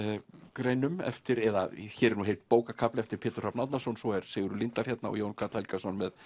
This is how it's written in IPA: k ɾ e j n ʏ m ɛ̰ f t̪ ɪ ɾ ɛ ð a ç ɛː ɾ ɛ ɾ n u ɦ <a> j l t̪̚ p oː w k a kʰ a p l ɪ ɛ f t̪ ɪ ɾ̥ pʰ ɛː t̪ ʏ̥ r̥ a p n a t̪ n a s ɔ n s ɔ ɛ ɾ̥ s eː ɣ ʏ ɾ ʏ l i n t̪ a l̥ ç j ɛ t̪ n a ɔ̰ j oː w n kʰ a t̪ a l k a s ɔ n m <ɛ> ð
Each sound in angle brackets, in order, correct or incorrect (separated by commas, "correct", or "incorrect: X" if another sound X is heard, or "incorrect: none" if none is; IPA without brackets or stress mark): incorrect: e, correct